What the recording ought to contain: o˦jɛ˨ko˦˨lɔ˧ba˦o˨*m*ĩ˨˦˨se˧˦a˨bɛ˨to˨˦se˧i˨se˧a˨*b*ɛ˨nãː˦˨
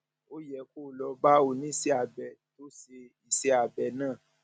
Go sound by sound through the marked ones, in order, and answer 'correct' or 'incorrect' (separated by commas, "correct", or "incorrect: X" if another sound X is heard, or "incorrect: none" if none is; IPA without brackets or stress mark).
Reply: incorrect: n, correct